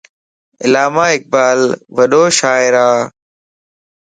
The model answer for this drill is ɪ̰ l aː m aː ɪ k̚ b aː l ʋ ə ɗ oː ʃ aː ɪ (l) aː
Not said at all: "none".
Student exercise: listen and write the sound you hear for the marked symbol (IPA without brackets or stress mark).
ɾ